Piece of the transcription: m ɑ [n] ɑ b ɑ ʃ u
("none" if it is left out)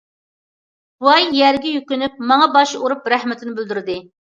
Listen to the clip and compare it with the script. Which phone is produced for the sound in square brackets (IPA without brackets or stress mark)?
ŋ